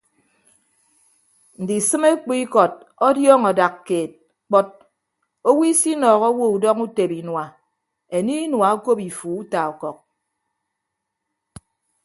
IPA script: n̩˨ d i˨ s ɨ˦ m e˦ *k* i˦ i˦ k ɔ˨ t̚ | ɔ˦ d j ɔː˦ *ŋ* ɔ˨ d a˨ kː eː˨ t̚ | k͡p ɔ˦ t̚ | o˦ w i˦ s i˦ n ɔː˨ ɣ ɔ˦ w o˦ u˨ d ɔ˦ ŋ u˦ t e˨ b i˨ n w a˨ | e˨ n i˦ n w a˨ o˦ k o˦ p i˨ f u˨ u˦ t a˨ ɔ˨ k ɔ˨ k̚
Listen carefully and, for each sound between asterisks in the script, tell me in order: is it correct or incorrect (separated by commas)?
incorrect, correct